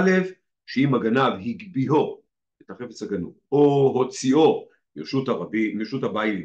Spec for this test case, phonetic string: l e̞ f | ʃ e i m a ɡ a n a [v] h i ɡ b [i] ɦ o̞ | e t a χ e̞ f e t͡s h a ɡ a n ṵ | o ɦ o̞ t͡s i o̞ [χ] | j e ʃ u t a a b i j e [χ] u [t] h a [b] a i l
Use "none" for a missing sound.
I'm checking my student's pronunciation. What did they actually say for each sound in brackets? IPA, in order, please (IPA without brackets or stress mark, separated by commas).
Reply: v, i, none, ʃ, t, b